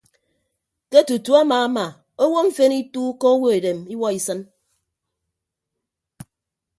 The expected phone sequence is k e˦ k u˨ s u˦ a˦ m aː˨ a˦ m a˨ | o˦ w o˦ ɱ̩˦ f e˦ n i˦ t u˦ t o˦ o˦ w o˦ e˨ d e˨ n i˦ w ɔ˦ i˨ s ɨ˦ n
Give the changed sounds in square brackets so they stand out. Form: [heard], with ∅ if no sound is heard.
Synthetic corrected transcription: k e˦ [t] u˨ [t] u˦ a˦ m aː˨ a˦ m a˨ | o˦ w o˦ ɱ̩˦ f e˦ n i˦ t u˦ [k] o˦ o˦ w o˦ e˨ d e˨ [m] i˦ w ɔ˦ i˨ s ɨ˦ n